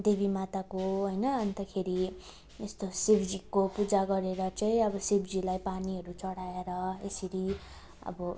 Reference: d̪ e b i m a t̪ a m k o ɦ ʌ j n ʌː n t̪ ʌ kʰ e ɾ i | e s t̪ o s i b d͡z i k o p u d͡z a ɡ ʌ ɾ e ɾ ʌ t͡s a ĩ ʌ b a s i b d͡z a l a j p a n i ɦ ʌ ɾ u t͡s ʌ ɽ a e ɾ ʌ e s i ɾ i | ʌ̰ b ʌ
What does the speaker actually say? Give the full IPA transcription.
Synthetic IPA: d̪ e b i m a t̪ a k o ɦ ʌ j n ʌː n t̪ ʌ kʰ e ɾ i | e s t̪ o s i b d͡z i k o p u d͡z a ɡ ʌ ɾ e ɾ ʌ t͡s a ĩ ʌ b ʌ s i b d͡z i l a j p a n i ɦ ʌ ɾ u t͡s ʌ ɽ a e ɾ ʌ e s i ɾ i | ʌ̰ b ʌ

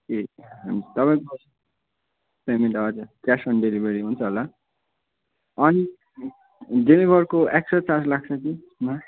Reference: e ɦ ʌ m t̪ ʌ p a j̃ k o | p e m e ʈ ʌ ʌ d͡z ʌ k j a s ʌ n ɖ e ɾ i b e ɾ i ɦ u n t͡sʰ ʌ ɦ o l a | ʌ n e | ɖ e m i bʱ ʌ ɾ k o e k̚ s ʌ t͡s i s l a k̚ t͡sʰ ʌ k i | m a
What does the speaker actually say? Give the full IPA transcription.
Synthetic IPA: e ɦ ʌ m t̪ ʌ p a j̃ k o | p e m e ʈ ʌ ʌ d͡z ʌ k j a s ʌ n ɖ e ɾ i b e ɾ i ɦ u n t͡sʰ ʌ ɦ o l a | ʌ n i | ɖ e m i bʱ ʌ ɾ k o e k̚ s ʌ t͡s a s l a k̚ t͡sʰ ʌ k i | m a

